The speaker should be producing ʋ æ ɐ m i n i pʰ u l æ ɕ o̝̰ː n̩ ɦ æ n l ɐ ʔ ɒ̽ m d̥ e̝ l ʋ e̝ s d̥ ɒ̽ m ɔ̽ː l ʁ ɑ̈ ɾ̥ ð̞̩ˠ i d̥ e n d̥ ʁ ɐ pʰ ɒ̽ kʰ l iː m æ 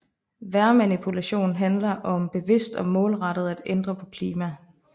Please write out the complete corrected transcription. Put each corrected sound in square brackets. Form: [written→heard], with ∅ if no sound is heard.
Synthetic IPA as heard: ʋ æ ɐ m [i→æ] n i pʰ u l æ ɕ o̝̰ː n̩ ɦ æ n l ɐ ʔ ɒ̽ m [d̥→b̥] e̝ [l→∅] ʋ e̝ s d̥ ɒ̽ m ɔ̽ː l ʁ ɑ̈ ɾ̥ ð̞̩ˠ [i→æ] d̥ e n d̥ ʁ ɐ pʰ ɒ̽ kʰ l iː m æ